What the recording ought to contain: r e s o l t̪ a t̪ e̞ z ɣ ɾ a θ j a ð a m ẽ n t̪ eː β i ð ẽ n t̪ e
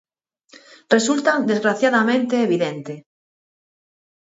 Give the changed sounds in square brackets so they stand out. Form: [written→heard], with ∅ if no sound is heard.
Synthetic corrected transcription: r e s [o→u] l t̪ a [t̪→d̪] e̞ z ɣ ɾ a θ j a ð a m ẽ n t̪ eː β i ð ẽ n t̪ e